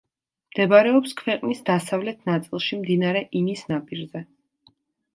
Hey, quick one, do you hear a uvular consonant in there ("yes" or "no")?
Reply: yes